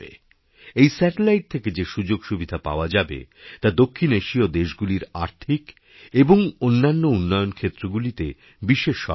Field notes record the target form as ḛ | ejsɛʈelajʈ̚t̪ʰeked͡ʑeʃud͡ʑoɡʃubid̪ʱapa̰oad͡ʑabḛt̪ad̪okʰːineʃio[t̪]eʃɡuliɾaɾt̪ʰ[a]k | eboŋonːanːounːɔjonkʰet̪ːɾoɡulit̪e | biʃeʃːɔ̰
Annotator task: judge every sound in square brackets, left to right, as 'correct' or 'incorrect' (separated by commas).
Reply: incorrect, incorrect